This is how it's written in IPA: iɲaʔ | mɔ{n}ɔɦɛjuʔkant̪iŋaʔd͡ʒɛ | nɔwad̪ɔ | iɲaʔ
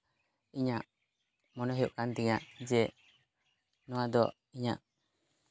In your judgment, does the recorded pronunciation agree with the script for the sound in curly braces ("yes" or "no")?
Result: yes